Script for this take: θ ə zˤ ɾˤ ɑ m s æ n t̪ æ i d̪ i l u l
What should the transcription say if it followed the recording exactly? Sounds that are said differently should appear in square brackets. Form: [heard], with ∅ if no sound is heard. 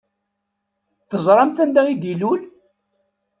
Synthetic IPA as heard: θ ə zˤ ɾˤ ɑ m [θ] æ n [d̪] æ i d̪ i l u l